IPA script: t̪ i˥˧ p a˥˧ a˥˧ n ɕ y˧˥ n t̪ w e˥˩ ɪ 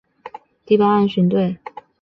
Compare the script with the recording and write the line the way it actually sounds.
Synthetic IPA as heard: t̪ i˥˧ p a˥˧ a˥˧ n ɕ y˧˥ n t̪ w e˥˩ ɪ

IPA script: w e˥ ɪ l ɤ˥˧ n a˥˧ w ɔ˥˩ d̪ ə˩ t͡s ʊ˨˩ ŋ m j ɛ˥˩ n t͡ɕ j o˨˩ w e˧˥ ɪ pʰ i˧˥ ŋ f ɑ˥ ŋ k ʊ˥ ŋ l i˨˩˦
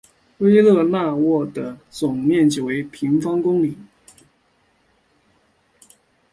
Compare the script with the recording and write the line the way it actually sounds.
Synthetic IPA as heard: w e˥ ɪ l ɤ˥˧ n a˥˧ w ɔ˥˩ d̪ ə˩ t͡s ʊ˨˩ ŋ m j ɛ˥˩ n t͡ɕ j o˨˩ w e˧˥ ɪ pʰ i˧˥ ŋ f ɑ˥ ŋ k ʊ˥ ŋ l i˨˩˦

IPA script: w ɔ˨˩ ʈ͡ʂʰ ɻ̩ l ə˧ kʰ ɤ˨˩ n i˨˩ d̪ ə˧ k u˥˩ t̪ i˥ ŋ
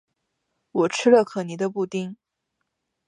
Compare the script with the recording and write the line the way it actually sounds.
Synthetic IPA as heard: w ɔ˨˩ ʈ͡ʂʰ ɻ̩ l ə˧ kʰ ɤ˨˩ n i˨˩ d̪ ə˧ p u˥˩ t̪ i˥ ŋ

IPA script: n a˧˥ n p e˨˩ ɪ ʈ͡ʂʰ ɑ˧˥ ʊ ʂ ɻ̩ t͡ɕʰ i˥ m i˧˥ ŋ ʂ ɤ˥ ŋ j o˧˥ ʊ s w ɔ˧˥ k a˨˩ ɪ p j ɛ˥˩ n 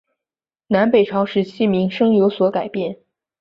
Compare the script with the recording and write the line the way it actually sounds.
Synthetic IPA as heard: n a˧˥ n p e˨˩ ɪ ʈ͡ʂʰ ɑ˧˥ ʊ ʂ ɻ̩ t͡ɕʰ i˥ m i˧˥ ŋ ʂ ɤ˥ ŋ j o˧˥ ʊ s w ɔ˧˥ k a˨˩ ɪ p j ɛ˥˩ n

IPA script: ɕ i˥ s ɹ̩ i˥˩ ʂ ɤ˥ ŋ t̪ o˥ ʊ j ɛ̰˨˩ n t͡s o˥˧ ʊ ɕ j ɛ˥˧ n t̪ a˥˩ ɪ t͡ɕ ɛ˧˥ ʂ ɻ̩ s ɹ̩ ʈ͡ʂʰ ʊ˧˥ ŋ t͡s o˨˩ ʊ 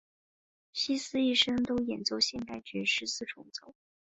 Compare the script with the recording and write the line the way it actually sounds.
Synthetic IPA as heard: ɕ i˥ s ɹ̩ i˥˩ ʂ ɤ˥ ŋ t̪ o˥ ʊ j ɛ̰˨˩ n t͡s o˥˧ ʊ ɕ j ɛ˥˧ n t̪ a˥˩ ɪ t͡ɕ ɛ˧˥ ʂ ɻ̩ s ɹ̩ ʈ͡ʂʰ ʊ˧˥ ŋ t͡s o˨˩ ʊ

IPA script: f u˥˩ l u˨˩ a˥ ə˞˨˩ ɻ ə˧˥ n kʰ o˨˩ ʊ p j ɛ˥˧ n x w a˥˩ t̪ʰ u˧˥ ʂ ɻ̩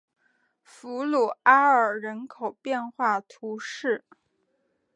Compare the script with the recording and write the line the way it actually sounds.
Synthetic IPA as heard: f u˧˥ l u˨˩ a˥ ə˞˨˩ ɻ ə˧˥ n kʰ o˨˩ ʊ p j ɛ˥˧ n x w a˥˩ t̪ʰ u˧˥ ʂ ɻ̩

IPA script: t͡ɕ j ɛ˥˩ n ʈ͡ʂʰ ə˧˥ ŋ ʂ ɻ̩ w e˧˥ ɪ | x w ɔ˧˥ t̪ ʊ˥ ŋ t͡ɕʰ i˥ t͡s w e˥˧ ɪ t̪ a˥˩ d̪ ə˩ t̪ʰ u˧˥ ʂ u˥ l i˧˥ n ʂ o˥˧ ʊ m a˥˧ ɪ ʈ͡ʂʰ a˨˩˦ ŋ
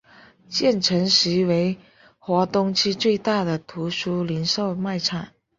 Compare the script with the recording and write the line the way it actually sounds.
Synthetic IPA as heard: t͡ɕ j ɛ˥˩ n ʈ͡ʂʰ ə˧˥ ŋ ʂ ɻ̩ w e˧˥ ɪ | x w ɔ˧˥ t̪ ʊ˥ ŋ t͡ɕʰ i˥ t͡s w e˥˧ ɪ t̪ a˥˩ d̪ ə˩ t̪ʰ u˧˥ ʂ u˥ l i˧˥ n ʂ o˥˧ ʊ m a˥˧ ɪ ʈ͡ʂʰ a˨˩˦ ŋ

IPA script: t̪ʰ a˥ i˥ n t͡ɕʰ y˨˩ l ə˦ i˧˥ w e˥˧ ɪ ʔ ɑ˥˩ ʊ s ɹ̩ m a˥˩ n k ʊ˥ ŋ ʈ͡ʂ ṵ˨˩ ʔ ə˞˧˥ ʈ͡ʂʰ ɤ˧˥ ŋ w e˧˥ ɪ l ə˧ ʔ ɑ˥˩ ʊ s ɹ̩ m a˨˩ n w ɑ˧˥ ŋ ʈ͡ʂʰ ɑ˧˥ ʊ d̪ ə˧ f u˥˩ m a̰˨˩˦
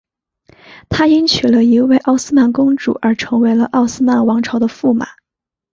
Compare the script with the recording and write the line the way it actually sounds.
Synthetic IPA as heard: t̪ʰ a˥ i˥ n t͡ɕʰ y˨˩ l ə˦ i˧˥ w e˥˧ ɪ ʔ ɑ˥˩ ʊ s ɹ̩ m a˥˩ n k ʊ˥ ŋ ʈ͡ʂ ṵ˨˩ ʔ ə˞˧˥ ʈ͡ʂʰ ɤ˧˥ ŋ w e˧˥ ɪ l ə˧ ʔ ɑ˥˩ ʊ s ɹ̩ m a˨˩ n w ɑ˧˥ ŋ ʈ͡ʂʰ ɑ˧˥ ʊ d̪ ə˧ f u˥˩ m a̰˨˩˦

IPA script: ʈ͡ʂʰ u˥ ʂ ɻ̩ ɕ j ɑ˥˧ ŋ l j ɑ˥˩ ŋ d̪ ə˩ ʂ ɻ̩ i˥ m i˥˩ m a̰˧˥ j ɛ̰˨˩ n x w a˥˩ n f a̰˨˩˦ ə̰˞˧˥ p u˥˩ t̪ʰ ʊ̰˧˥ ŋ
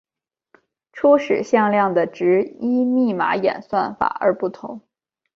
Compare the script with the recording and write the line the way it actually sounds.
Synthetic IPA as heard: ʈ͡ʂʰ u˥ ʂ ɻ̩ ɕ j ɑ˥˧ ŋ l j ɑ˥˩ ŋ d̪ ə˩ ʈ͡ʂ ɻ̩ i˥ m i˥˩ m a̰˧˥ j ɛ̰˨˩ n s w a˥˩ n f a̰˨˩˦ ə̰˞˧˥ p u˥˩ t̪ʰ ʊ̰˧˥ ŋ

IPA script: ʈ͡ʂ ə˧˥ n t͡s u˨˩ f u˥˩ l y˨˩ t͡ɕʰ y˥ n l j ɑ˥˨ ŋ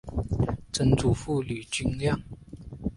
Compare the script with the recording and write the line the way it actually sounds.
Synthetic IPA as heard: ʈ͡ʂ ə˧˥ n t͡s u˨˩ f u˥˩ l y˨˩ t͡ɕ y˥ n l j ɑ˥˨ ŋ

